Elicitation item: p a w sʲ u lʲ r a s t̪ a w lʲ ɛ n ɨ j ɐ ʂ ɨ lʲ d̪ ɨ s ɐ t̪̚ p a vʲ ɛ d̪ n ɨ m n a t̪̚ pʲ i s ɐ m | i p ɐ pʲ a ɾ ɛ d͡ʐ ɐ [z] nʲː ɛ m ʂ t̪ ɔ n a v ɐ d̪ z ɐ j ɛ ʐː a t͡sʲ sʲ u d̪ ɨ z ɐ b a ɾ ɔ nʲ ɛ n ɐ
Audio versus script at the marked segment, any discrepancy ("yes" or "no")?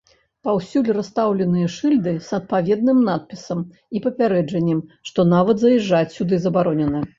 yes